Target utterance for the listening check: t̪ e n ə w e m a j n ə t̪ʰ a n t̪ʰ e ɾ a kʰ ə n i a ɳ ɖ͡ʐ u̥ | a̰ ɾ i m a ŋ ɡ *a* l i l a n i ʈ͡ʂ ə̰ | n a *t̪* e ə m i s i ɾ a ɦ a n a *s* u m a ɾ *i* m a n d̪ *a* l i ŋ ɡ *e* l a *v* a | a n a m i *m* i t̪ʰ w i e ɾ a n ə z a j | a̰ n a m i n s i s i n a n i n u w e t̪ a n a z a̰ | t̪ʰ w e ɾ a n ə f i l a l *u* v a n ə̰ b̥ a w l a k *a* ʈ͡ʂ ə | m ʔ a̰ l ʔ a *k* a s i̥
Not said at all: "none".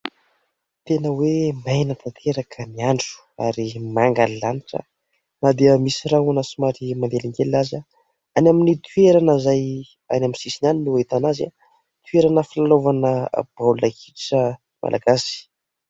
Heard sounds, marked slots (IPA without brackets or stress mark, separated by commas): a, d̪, s, i, e, e, z, n, o, i, ɡ